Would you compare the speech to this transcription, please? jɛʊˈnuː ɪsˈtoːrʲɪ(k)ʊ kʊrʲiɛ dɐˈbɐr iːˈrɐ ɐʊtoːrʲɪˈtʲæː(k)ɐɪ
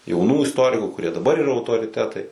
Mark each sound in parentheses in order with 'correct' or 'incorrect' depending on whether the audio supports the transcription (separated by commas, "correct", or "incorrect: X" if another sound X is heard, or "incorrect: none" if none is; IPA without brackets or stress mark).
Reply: correct, incorrect: t